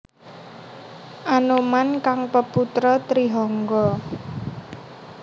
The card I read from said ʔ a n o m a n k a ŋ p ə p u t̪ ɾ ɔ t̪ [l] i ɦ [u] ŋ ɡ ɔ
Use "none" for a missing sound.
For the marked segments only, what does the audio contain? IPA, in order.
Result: ɾ, ɔ

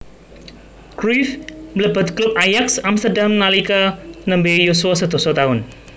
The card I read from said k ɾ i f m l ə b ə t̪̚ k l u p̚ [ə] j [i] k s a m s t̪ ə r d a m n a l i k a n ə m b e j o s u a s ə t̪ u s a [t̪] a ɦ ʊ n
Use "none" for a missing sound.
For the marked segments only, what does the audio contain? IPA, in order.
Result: a, a, t̪

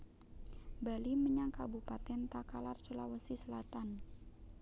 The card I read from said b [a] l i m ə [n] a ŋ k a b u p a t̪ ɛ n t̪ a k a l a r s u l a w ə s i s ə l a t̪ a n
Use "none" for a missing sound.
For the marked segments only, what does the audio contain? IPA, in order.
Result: a, ɲ

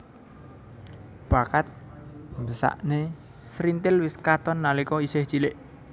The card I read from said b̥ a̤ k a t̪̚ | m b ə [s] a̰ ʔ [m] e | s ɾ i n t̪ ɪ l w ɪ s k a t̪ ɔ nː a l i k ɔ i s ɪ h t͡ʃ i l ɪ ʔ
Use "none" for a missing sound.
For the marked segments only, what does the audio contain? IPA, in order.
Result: s, n

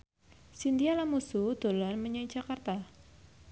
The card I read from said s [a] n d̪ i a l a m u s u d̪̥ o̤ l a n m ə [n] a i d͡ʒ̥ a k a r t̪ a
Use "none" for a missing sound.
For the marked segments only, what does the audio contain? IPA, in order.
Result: i, ɲ

